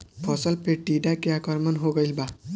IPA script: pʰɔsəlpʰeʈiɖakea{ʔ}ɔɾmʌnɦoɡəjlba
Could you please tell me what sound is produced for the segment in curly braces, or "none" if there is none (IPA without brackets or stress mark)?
k